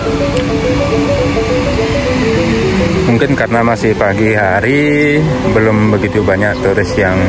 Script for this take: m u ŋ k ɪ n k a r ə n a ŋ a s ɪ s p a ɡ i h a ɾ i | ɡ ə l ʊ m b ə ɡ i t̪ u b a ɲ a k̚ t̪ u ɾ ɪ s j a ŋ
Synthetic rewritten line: m u ŋ k ɪ n k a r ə n a m a s ɪ h p a ɡ i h a ɾ i | b ə l ʊ m b ə ɡ i t̪ u b a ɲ a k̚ t̪ u ɾ ɪ s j a ŋ